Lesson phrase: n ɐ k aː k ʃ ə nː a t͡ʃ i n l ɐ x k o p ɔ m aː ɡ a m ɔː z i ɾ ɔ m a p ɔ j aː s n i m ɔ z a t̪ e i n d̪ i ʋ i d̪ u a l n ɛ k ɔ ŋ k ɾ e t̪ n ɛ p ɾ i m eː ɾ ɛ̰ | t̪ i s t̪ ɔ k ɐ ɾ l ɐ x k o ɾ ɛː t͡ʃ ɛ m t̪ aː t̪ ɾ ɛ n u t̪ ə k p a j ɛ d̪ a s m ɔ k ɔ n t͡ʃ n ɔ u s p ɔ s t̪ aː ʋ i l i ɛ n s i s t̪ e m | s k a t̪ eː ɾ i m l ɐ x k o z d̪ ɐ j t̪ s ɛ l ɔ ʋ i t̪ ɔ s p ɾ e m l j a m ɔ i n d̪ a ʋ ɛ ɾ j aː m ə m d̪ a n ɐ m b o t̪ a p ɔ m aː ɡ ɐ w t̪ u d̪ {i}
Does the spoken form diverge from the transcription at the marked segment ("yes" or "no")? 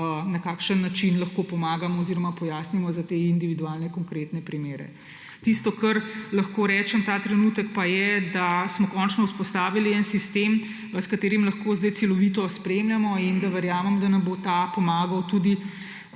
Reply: no